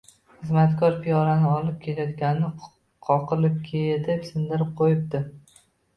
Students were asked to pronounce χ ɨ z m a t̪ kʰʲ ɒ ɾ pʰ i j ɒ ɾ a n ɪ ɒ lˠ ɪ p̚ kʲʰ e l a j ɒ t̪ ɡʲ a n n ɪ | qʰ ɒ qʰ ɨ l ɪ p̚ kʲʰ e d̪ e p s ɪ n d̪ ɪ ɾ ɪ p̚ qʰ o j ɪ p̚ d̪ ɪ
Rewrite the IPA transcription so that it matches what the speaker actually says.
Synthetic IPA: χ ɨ z m a t̪ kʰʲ ɒ ɾ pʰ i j ɒ ɾ a n ɪ ɒ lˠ ɪ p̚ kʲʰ e l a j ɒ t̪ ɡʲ a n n ɪ | qʰ ɒ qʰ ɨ l ɪ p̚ kʲʰ e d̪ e p s ɪ n d̪ ɪ ɾ ɪ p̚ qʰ o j ɪ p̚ d̪ ɪ